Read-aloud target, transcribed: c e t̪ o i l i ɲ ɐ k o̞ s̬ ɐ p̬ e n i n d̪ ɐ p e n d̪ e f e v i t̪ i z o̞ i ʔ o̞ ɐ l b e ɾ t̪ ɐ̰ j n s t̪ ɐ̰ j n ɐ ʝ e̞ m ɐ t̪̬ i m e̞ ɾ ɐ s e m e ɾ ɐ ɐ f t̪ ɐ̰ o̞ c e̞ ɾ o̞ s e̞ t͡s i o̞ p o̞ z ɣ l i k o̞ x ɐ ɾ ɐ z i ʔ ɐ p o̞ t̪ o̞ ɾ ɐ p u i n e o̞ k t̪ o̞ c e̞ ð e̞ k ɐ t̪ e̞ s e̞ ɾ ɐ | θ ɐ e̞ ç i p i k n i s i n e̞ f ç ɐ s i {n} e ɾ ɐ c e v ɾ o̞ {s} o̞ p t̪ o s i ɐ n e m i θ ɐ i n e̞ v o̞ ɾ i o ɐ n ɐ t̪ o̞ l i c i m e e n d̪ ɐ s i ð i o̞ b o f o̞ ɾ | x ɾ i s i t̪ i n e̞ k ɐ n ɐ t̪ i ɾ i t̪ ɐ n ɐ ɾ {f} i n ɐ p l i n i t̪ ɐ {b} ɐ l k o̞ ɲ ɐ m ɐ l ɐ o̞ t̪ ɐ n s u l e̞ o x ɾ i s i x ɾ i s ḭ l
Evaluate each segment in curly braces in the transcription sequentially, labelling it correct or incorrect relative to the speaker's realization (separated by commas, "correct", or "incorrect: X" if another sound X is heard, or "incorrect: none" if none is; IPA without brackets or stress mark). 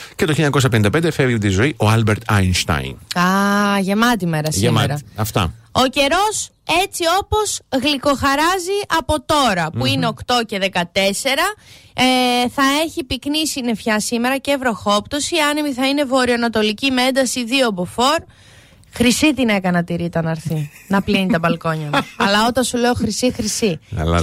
incorrect: m, incorrect: x, incorrect: θ, correct